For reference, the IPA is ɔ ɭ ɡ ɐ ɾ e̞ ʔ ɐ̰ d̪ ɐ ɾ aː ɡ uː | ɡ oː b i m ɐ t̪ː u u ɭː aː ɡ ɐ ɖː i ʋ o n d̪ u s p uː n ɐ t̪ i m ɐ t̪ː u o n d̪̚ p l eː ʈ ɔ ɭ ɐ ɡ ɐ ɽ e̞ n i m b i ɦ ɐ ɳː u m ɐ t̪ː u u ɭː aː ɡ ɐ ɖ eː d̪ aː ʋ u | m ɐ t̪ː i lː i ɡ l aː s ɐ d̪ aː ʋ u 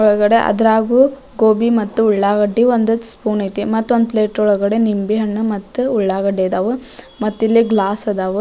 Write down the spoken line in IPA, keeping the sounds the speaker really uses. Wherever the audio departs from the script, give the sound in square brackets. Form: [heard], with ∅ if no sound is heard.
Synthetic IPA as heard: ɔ ɭ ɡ ɐ [ɽ] e̞ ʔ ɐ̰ d̪ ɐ ɾ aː ɡ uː | ɡ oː b i m ɐ t̪ː u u ɭː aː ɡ ɐ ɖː i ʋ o n d̪ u s p uː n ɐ t̪ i m ɐ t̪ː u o n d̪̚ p l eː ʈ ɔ ɭ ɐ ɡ ɐ ɽ e̞ n i m b i ɦ ɐ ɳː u m ɐ t̪ː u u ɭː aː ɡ ɐ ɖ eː d̪ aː ʋ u | m ɐ t̪ː i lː i ɡ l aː s ɐ d̪ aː ʋ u